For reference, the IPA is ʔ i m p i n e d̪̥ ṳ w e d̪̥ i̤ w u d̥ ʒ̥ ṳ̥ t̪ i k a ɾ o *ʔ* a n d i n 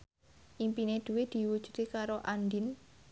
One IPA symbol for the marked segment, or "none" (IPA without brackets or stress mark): ʔ